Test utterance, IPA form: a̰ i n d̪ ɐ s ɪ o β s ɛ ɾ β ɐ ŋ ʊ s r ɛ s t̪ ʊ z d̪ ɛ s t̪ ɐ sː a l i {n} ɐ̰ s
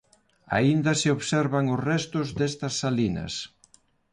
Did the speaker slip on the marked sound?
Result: no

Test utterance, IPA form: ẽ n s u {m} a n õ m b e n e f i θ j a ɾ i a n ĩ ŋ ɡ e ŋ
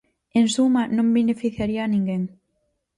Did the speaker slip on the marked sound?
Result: no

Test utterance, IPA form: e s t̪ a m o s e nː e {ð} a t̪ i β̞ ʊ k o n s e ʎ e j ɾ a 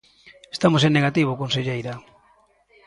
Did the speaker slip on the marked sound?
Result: yes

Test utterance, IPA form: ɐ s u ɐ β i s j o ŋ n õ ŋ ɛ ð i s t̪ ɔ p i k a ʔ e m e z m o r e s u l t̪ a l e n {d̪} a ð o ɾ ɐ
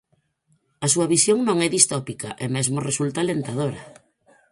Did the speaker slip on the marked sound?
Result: yes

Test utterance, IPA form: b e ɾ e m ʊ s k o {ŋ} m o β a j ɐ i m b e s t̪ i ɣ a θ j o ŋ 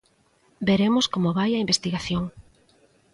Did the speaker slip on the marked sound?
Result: yes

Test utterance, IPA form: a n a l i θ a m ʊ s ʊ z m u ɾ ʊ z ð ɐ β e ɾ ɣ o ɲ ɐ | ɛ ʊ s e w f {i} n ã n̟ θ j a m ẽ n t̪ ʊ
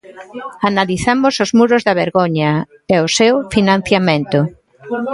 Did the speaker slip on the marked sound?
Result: no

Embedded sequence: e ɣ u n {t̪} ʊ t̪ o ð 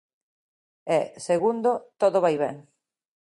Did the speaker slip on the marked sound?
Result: yes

